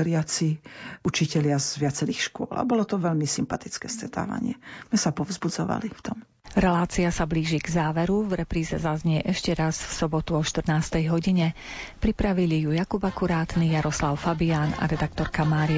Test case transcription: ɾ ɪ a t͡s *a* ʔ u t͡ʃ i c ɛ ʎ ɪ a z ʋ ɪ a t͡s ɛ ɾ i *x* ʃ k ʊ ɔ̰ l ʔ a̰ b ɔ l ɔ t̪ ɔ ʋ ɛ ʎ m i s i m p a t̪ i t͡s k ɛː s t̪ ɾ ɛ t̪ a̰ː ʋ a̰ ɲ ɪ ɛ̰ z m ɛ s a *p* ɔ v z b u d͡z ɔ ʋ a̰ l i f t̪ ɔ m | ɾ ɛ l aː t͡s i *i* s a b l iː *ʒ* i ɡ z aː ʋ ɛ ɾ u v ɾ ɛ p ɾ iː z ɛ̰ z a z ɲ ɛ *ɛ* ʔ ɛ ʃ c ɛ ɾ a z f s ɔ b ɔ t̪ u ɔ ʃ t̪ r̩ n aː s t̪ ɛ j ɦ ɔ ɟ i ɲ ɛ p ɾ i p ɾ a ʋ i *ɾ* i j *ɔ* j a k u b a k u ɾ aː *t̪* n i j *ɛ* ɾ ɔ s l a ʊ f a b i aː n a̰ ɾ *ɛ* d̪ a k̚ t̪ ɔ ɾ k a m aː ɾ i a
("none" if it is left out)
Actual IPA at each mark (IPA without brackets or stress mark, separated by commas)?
i, x, p, a, ʒ, ɛ, l, u, t̪, a, ɛ